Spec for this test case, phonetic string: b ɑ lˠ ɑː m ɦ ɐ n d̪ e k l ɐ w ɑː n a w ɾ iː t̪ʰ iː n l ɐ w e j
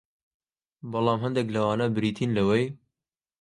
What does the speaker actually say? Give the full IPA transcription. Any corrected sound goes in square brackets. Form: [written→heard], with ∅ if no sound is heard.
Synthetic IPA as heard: b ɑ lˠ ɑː m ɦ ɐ n d̪ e k l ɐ w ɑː n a [w→b] ɾ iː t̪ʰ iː n l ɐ w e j